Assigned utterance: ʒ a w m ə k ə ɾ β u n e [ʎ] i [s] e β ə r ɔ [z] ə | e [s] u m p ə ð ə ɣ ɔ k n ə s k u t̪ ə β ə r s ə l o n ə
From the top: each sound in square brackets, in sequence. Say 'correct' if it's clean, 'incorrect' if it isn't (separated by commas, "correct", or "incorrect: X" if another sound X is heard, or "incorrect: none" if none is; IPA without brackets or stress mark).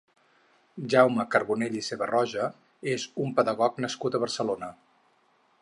correct, correct, incorrect: ʒ, incorrect: z